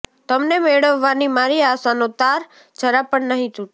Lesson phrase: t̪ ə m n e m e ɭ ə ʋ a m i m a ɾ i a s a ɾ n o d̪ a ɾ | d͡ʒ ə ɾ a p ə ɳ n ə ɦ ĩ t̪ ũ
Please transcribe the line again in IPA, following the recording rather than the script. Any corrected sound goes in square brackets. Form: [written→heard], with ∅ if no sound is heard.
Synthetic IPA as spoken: t̪ ə m n e m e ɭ ə [ʋ→ʋː] a [m→n] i m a ɾ i a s a [ɾ→∅] n o [d̪→t̪] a ɾ | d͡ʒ ə ɾ a p ə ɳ n ə ɦ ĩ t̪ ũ

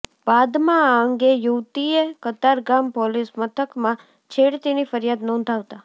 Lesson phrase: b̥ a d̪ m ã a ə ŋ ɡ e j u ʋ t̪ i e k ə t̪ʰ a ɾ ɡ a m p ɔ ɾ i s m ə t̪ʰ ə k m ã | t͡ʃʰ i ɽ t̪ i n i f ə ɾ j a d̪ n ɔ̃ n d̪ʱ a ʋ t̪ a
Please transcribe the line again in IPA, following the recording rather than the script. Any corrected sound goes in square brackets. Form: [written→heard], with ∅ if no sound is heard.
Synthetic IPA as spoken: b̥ a d̪ m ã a ə ŋ ɡ e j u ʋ t̪ i e k ə [t̪ʰ→t̪] a ɾ ɡ a m p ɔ [ɾ→l] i s m ə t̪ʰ ə k m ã | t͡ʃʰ [i→e] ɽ t̪ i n i f ə ɾ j a d̪ n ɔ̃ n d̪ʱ a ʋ t̪ a

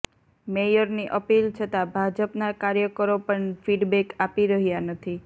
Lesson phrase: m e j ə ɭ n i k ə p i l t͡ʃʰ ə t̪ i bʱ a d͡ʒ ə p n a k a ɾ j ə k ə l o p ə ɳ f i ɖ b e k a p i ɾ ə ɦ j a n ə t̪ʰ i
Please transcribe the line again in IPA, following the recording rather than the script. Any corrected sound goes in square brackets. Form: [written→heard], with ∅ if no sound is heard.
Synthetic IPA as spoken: m e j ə [ɭ→ɾ] n i [k→ʔ] ə p i l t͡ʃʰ ə t̪ [i→a] bʱ a d͡ʒ ə p n a k a ɾ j ə k ə [l→ɾ] o p ə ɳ f i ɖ b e k a p i ɾ ə ɦ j a n ə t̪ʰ i

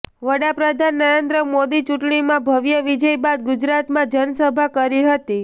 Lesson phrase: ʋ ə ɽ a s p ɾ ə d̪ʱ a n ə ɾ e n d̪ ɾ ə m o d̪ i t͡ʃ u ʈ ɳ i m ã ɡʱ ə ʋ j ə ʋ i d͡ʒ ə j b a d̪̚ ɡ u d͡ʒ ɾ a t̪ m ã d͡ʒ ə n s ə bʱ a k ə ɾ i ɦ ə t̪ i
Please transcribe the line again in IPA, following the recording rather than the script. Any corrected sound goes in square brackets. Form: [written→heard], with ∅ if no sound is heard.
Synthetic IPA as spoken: ʋ ə ɽ a [s→∅] p ɾ ə d̪ʱ a [n→nː] ə ɾ e n d̪ ɾ ə m o d̪ i t͡ʃ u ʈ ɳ i m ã [ɡʱ→bʱ] ə ʋ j ə ʋ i d͡ʒ ə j b a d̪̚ ɡ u d͡ʒ ɾ a t̪ m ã d͡ʒ ə n s ə bʱ a k ə ɾ i ɦ ə t̪ i

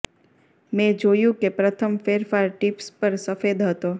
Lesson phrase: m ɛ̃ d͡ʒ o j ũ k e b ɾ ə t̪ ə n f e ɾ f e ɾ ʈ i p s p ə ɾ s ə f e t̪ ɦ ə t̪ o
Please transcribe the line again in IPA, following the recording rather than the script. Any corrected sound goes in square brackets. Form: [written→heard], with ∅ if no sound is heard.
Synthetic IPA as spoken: m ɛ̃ d͡ʒ o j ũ k e [b→p] ɾ ə [t̪→t̪ʰ] ə [n→m] f e ɾ f [e→a] ɾ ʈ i p s p ə ɾ s ə f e [t̪→d̪] ɦ ə t̪ o

